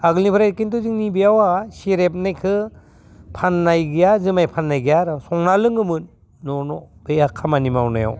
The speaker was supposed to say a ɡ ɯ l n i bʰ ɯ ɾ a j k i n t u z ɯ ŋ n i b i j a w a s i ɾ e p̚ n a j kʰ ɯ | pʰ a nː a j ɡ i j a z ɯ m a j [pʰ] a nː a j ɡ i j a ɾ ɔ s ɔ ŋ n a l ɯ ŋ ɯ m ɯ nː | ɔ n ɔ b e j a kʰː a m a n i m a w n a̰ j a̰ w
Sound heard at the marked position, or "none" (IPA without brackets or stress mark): pʰ